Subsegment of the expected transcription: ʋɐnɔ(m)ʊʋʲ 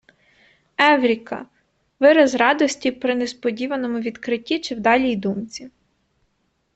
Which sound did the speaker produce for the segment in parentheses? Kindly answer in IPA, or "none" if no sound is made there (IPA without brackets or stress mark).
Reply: m